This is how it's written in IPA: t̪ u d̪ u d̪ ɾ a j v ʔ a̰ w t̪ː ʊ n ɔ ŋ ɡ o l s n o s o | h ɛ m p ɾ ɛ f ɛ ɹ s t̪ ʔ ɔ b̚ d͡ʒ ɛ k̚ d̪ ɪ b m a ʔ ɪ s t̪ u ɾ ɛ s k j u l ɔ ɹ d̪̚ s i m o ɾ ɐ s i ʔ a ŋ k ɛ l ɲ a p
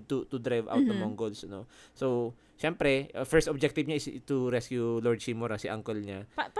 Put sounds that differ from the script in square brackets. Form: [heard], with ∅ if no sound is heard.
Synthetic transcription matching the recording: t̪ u [t̪] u d̪ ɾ a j v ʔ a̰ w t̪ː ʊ [m] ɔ ŋ ɡ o l s n o s o | [ʃ] ɛ m p ɾ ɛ f ɛ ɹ s t̪ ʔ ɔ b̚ d͡ʒ ɛ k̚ [t̪] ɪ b [ɲ] a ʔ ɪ s t̪ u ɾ ɛ s k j u l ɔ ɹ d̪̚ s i m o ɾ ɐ s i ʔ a ŋ k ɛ l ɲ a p